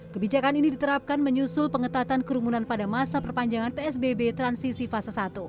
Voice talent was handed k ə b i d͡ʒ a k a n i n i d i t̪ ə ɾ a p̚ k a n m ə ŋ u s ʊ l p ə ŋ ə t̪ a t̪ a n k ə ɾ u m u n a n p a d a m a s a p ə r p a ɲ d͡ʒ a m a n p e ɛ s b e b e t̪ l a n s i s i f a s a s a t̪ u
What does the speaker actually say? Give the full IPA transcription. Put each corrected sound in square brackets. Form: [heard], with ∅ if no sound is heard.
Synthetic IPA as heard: k ə b i d͡ʒ a k a n i n i d i t̪ ə ɾ a p̚ k a n m ə [ɲ] u s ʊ l p ə ŋ ə t̪ a t̪ a n k ə ɾ u m u n a n p a d a m a s a p ə r p a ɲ d͡ʒ a [ŋ] a n p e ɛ s b e b e t̪ [ɾ] a n s i s i f a s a s a t̪ u

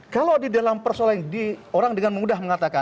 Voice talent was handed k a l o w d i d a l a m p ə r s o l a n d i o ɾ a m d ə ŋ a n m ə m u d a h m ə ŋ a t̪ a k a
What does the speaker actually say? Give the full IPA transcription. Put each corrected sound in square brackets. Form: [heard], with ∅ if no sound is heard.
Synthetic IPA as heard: k a l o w d i d a l a m p ə r s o l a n d i o ɾ a [ŋ] d ə ŋ a n m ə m u d a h m ə ŋ a t̪ a k a

